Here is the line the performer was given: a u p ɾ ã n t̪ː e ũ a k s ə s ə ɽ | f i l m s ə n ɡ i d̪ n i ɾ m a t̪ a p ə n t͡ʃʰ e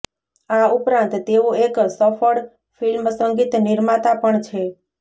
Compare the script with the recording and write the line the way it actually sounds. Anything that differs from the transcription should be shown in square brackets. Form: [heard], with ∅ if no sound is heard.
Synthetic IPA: a u p ɾ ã n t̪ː e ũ [e] k s ə [f] ə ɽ | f i l m s ə [ŋ] ɡ i [t̪] n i ɾ m a t̪ a p ə [ɳ] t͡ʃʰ e